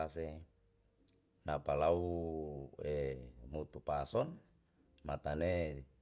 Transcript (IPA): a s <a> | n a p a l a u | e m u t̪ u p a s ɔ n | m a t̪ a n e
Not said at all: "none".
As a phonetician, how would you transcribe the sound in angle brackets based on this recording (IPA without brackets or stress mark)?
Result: e